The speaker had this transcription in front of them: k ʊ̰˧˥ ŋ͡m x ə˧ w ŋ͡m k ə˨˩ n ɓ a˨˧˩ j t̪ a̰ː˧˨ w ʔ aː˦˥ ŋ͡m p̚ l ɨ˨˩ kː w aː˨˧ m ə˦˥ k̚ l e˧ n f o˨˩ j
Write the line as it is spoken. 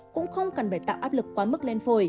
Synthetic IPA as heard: k ʊ̰˧˥ ŋ͡m x ə˧ w ŋ͡m k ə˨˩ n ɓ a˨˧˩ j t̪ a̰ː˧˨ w ʔ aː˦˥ p̚ l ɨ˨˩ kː w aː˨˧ m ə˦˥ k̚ l e˧ n f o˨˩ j